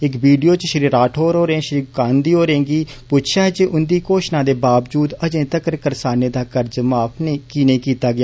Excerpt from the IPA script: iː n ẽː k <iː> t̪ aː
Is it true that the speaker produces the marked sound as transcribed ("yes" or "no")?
yes